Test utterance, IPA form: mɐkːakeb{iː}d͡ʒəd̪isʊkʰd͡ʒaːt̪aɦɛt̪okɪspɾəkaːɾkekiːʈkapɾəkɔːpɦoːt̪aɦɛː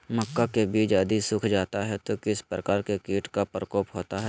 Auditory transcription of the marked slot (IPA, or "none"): iː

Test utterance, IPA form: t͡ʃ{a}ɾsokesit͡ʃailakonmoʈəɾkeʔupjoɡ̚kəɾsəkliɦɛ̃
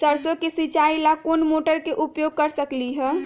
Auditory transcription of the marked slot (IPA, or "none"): ə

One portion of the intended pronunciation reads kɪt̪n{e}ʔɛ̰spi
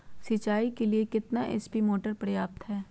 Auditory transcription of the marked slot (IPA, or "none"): a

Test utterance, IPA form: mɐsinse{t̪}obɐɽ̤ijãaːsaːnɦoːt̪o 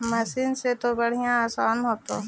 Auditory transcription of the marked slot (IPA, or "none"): t̪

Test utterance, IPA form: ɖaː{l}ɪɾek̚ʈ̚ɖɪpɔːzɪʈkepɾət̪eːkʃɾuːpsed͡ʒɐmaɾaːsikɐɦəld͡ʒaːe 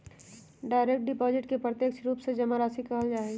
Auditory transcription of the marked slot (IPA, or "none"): none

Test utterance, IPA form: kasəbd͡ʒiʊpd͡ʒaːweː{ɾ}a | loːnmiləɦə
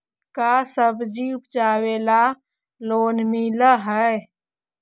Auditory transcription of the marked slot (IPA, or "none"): l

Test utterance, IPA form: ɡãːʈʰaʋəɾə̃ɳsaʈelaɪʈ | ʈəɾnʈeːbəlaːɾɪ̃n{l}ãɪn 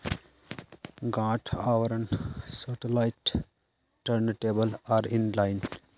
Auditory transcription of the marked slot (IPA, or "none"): l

